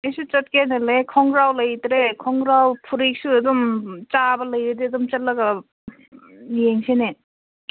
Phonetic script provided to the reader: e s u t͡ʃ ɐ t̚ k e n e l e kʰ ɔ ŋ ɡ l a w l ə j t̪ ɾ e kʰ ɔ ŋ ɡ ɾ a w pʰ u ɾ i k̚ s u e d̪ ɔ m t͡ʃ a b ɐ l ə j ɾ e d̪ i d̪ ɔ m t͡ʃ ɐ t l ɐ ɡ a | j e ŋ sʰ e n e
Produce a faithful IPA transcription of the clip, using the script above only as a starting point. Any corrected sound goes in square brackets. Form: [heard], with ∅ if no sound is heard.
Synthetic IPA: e s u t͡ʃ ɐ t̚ k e n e l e kʰ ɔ ŋ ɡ [ɾ] a w l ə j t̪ ɾ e kʰ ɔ ŋ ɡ ɾ a w pʰ u ɾ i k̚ s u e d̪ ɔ m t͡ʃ a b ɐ l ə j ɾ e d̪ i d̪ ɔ m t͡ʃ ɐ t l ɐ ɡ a | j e ŋ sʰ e n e